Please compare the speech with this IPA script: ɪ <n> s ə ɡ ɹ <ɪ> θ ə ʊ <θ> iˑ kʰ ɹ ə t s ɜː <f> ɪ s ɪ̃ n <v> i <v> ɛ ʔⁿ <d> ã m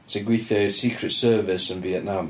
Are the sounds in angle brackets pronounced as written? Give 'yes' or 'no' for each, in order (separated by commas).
no, no, no, no, yes, no, no